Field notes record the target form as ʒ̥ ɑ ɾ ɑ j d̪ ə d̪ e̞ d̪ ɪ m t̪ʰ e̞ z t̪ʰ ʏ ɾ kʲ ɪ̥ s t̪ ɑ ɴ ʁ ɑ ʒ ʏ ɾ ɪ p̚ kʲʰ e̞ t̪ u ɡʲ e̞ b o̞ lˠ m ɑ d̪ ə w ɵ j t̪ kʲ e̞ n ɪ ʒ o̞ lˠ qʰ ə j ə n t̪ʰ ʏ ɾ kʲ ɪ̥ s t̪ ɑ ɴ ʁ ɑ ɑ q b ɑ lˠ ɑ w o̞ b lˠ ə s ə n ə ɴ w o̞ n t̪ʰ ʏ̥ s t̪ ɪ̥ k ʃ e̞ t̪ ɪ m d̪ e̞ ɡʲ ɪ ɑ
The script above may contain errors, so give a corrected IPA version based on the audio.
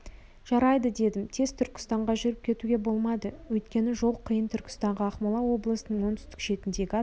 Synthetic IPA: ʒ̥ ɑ ɾ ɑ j d̪ ə d̪ e̞ d̪ ɪ m t̪ʰ e̞ z t̪ʰ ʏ ɾ kʲ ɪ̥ s t̪ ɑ ɴ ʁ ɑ ʒ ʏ ɾ ɪ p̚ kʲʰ e̞ t̪ u ɡʲ e̞ b o̞ lˠ m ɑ d̪ ə w ɵ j t̪ kʲ e̞ n ɪ ʒ o̞ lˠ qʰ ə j ə n t̪ʰ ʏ ɾ kʲ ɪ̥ s t̪ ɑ ɴ ʁ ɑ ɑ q m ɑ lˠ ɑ w o̞ b lˠ ə s ə n ə ɴ w o̞ n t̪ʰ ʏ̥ s t̪ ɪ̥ k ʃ e̞ t̪ ɪ n d̪ e̞ ɡʲ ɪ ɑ